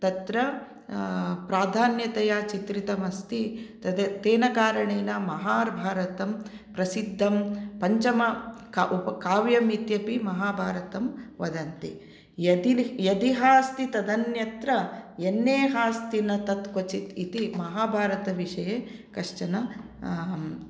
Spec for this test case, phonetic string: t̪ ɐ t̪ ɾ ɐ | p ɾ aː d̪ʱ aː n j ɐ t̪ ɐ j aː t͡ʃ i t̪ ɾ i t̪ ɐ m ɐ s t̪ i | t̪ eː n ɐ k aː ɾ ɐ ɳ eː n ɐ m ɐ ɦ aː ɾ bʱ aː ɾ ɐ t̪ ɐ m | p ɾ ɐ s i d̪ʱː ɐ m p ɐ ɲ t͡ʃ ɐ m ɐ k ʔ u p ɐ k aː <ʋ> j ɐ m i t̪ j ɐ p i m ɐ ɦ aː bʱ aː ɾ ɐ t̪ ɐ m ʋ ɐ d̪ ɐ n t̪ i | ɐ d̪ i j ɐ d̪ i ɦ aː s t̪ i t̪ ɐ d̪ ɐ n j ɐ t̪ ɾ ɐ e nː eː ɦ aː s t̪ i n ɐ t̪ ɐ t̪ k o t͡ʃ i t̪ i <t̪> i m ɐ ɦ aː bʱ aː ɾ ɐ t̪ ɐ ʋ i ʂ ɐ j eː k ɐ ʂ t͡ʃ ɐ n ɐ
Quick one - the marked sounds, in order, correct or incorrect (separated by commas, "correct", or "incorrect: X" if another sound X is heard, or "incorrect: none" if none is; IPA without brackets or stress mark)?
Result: correct, correct